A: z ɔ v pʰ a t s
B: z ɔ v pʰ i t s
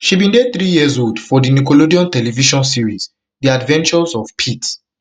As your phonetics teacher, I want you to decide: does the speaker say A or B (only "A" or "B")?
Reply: B